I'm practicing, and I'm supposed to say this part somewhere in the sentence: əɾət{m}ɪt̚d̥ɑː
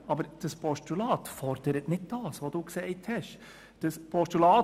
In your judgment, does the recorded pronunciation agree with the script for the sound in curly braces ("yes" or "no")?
no